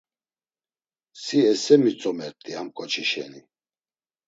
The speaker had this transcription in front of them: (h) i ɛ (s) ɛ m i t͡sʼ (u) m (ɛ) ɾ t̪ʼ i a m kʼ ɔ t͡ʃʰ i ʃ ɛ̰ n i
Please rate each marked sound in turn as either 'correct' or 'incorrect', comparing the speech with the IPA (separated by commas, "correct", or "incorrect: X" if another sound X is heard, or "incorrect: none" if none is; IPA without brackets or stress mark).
incorrect: s, correct, incorrect: ɔ, correct